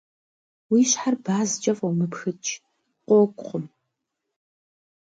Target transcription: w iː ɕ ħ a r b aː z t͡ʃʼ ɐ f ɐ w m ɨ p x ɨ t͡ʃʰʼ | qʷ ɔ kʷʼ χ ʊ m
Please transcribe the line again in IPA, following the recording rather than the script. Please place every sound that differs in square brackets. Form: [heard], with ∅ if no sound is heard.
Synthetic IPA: w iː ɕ ħ a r b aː z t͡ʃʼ ɐ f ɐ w m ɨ p x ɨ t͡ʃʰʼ | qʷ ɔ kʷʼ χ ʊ m